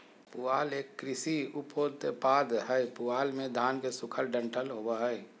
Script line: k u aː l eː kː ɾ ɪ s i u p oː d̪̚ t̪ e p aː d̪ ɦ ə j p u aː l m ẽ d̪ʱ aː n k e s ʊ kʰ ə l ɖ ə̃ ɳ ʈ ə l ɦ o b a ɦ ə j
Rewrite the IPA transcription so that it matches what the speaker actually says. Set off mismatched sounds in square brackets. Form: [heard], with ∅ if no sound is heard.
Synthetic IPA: [p] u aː l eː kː ɾ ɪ s i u p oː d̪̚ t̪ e p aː d̪ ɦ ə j p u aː l m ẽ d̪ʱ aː n k e s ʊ kʰ ə l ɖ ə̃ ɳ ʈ ə l ɦ o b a ɦ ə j

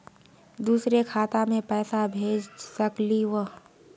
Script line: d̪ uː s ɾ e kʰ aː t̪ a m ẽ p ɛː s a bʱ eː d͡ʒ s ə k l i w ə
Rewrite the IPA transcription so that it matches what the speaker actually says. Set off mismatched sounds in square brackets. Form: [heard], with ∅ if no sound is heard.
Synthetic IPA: d̪ uː s ɾ e kʰ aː t̪ a m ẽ p ɛː s a bʱ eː d͡ʒ s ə k l i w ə

